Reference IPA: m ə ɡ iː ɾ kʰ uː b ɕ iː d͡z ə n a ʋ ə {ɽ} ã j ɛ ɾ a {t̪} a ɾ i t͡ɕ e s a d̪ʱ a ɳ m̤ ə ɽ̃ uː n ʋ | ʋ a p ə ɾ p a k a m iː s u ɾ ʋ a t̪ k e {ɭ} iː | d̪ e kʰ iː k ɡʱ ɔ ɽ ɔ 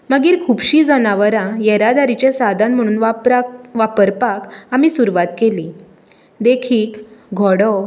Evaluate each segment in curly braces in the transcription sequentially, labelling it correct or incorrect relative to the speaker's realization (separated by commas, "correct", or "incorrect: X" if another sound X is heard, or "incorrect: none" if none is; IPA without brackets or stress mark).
incorrect: ɾ, incorrect: d̪, incorrect: l